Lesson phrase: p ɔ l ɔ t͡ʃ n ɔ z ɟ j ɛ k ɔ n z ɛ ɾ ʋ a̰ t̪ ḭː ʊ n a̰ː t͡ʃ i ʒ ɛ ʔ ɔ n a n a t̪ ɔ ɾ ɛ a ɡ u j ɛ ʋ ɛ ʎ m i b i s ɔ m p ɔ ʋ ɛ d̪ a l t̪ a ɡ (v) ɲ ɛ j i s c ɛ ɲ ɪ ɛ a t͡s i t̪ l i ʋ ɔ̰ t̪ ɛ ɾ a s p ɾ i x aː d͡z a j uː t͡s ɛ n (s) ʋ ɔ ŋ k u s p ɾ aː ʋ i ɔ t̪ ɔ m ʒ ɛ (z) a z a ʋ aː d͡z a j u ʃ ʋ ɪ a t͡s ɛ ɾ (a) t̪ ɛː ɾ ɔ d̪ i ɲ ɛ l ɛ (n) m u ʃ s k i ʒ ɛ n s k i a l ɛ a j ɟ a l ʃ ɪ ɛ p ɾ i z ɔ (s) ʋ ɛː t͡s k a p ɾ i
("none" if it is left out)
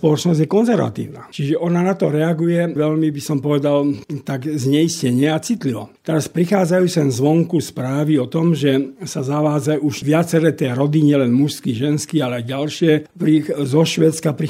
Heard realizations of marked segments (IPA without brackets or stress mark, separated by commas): z, z, s, ɛ, n, ʃ